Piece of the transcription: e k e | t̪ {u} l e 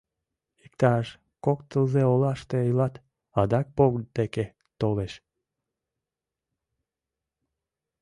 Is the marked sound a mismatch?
yes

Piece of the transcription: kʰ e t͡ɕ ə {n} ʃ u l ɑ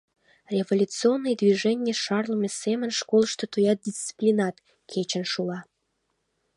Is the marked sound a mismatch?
no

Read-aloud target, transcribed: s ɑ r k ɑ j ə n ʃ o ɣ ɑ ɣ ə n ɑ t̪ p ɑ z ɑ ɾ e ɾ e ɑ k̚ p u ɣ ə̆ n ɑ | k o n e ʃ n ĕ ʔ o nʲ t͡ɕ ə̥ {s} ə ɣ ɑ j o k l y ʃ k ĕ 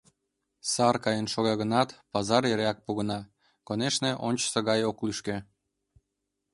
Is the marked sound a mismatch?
no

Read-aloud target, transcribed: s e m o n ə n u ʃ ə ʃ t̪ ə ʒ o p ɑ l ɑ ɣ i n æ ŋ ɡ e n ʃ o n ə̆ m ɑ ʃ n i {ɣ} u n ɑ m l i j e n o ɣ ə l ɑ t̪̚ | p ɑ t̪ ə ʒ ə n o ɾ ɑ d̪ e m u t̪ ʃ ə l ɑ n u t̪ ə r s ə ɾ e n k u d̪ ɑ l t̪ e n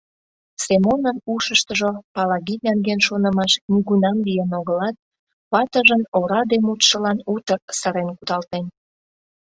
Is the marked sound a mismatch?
no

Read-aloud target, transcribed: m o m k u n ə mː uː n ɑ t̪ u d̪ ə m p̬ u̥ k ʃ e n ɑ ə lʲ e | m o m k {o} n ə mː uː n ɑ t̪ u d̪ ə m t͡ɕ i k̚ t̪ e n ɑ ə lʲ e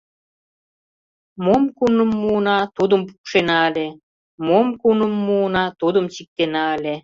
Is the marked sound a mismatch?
yes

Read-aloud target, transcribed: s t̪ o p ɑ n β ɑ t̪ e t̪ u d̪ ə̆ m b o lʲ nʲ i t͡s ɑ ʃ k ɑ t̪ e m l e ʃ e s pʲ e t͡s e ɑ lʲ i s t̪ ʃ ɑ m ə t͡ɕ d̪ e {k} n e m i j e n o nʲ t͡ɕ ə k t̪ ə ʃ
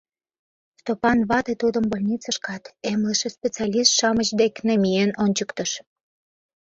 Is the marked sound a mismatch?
no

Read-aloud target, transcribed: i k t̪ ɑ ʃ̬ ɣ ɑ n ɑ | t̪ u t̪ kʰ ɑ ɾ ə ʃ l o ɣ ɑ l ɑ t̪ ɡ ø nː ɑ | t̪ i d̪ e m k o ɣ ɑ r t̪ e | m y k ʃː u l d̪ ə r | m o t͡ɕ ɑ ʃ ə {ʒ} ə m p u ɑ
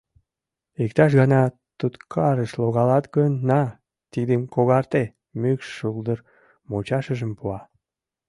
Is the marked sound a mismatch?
no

